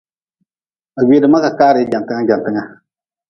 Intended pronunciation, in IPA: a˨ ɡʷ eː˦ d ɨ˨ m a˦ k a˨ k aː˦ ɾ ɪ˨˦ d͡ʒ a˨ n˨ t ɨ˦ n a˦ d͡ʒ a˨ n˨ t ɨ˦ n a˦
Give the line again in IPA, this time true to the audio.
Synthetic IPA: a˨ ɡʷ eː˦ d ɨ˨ m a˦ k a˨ k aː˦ ɾ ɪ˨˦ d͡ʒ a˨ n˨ t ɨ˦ ŋ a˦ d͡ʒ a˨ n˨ t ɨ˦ ŋ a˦